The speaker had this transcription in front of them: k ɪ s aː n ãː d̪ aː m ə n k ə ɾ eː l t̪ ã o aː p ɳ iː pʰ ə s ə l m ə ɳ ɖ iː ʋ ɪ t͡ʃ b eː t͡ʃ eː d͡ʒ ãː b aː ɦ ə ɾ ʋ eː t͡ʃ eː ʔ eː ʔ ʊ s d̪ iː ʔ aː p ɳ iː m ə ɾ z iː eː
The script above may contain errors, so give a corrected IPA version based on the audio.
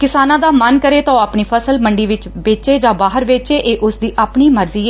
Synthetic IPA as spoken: k ɪ s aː n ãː d̪ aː m ə n k ə ɾ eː t̪ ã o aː p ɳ iː pʰ ə s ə l m ə ɳ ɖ iː ʋ ɪ t͡ʃ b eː t͡ʃ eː d͡ʒ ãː b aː ɦ ə ɾ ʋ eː t͡ʃ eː ʔ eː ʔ ʊ s d̪ iː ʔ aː p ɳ iː m ə ɾ z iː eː